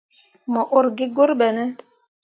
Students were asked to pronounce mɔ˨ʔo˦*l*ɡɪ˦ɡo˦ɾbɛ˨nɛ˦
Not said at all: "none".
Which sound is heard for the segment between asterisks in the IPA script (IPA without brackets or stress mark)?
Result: ɾ